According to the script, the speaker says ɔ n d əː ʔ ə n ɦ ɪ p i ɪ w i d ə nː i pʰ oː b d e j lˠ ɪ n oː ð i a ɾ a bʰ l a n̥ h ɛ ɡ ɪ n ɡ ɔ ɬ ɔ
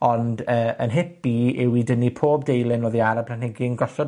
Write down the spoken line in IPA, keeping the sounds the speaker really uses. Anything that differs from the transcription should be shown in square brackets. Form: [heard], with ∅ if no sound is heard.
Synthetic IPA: ɔ n d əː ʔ ə n ɦ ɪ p i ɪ w i d ə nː i pʰ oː b d e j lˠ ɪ n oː ð i a ɾ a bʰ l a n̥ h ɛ ɡ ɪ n ɡ ɔ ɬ ɔ